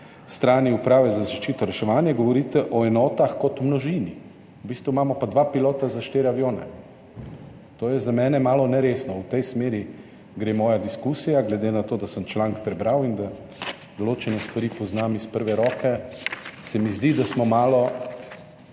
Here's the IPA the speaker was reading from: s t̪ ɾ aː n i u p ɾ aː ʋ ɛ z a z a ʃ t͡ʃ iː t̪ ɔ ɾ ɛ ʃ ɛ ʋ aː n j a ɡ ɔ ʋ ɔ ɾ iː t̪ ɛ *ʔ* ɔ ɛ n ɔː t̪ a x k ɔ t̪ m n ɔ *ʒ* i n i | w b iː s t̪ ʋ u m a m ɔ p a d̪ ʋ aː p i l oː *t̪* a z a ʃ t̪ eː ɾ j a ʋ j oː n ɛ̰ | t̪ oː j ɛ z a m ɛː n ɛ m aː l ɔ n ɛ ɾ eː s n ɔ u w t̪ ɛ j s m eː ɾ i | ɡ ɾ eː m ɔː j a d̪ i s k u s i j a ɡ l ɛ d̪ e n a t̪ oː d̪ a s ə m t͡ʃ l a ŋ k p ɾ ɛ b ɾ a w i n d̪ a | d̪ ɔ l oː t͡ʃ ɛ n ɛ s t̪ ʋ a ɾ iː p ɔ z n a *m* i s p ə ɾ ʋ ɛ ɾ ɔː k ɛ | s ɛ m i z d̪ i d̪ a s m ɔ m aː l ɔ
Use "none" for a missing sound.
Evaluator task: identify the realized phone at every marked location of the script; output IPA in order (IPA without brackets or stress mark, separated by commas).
ʔ, ʒ, t̪, m